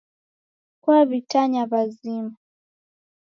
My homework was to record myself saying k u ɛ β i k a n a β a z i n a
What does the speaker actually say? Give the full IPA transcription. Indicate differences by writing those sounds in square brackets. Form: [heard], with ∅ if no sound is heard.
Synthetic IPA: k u [a] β i [t] a [ɲ] a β a z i [m] a